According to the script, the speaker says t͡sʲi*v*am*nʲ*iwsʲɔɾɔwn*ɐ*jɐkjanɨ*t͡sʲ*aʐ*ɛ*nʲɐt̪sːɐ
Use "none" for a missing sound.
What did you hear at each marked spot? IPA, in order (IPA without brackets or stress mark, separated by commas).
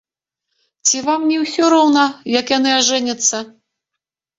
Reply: v, nʲ, ɐ, none, ɛ